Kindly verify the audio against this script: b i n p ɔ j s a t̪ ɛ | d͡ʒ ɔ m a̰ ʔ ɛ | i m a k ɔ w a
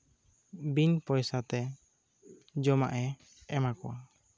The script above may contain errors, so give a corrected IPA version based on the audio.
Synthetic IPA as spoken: b i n p ɔ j s a t̪ ɛ | d͡ʒ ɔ m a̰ ʔ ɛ | ɛ m a k ɔ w a